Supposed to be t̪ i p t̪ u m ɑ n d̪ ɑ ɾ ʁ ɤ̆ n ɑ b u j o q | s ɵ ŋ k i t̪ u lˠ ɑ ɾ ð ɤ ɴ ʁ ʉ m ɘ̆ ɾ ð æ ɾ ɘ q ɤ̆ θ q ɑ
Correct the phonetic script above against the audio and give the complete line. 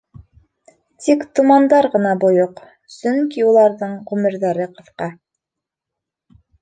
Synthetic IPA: t̪ i k t̪ u m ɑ n d̪ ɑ ɾ ʁ ɤ̆ n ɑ b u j o q | s ɵ ŋ k i u lˠ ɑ ɾ ð ɤ ɴ ʁ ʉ m ɘ̆ ɾ ð æ ɾ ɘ q ɤ̆ θ q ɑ